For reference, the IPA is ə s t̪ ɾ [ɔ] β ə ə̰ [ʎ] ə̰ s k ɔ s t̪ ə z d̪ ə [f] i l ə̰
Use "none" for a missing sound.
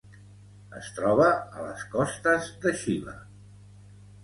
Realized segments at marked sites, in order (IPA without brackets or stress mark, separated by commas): ɔ, l, ʃ